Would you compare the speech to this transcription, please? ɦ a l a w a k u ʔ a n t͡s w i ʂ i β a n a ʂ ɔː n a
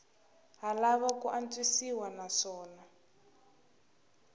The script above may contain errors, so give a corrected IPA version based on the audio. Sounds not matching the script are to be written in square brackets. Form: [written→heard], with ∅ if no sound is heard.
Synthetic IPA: ɦ a l a [w→β] a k u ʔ a n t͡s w i [ʂ→s] i [β→w] a n a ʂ ɔː n a